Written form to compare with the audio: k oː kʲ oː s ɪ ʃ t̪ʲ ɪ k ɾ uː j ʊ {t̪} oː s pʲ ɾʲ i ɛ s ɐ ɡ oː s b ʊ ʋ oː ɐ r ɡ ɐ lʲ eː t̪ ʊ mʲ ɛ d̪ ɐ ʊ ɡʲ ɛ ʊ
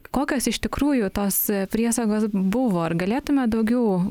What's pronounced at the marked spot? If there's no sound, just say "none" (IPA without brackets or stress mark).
t̪